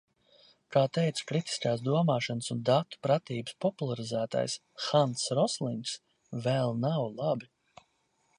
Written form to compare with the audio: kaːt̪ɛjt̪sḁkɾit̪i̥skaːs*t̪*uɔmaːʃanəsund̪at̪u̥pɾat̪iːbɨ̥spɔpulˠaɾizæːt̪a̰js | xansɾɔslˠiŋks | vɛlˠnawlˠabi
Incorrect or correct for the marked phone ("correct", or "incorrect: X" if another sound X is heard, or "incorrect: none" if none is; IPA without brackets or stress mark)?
incorrect: d̪